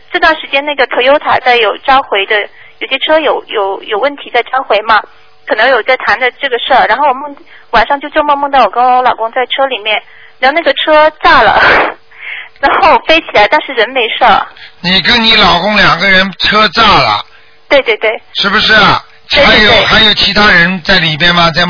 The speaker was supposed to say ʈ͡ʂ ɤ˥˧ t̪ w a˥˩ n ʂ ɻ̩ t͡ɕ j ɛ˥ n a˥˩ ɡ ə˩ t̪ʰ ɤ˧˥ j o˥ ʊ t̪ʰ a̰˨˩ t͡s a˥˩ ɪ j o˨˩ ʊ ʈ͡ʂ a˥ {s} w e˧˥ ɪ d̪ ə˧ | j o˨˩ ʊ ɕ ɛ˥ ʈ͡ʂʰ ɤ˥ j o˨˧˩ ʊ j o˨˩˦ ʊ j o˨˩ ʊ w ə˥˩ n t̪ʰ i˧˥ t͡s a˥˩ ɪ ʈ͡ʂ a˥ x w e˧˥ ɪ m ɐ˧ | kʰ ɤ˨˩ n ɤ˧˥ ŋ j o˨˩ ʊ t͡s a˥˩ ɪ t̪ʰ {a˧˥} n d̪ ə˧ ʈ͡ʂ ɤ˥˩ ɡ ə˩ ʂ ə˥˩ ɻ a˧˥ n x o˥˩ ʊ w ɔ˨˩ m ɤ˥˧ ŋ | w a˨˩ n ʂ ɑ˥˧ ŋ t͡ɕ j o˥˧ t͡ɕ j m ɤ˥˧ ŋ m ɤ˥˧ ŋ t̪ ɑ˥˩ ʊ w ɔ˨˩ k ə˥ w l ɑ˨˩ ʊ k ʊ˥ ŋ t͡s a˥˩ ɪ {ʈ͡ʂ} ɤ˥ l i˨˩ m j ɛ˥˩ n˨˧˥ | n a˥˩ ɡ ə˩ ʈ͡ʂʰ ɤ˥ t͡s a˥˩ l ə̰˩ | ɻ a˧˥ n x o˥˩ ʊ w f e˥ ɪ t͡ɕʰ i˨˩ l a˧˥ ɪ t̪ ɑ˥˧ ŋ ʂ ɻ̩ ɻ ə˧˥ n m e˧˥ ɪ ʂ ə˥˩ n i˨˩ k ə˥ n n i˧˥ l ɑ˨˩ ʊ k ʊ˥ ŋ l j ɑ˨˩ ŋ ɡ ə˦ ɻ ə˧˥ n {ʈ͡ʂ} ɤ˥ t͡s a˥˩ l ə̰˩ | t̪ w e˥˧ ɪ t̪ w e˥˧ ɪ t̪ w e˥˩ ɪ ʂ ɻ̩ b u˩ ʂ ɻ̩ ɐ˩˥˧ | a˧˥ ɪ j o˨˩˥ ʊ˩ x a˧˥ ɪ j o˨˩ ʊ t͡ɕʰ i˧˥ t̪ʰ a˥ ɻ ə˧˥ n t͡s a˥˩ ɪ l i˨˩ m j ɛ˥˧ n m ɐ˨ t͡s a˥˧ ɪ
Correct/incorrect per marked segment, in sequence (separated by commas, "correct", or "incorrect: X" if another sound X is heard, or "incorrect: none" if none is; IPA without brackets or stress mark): incorrect: x, correct, incorrect: ʈ͡ʂʰ, incorrect: ʈ͡ʂʰ